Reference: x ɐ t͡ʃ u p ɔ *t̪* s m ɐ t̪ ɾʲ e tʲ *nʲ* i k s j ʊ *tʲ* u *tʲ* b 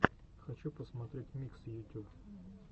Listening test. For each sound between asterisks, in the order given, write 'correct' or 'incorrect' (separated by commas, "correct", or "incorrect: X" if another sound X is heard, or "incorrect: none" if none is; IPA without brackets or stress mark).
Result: incorrect: none, incorrect: mʲ, correct, incorrect: none